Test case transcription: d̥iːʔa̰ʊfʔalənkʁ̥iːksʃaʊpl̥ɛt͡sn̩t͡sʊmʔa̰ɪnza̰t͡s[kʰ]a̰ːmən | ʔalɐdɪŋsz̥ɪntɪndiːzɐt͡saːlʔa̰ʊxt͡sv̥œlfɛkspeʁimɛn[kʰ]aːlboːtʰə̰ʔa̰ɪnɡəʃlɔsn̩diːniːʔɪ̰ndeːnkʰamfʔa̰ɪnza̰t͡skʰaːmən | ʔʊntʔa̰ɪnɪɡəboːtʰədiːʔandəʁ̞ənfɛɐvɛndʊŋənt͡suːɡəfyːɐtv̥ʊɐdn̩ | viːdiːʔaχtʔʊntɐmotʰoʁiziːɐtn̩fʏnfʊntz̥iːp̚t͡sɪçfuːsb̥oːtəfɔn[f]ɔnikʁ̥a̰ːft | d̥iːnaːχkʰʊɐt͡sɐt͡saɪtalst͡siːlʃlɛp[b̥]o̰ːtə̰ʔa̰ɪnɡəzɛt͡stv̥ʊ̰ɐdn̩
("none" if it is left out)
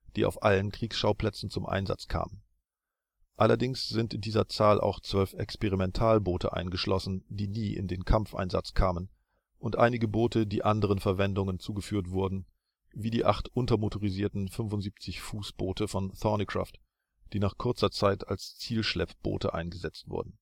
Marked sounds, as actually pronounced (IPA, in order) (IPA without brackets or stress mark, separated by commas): kʰ, tʰ, θ, b̥